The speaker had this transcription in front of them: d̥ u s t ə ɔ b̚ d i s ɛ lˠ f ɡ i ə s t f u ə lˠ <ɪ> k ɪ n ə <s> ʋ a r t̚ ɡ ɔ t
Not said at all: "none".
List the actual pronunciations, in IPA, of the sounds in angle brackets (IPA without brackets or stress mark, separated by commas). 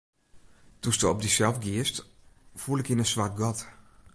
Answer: ɪ, s